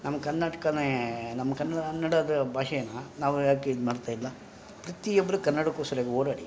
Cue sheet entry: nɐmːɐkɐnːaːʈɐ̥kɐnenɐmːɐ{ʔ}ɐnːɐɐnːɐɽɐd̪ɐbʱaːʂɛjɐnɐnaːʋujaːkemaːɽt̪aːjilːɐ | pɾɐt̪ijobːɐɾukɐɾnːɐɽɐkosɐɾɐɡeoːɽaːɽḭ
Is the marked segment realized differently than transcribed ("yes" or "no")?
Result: yes